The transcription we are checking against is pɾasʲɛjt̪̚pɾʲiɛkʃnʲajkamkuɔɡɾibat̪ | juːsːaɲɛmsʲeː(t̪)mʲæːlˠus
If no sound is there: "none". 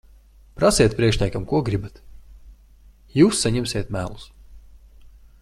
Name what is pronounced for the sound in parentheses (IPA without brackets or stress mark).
t̪